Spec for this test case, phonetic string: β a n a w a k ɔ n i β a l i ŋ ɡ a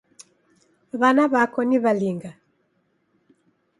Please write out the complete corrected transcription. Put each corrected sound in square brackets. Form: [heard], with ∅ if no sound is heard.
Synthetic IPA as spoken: β a n a [β] a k ɔ n i β a l i ŋ ɡ a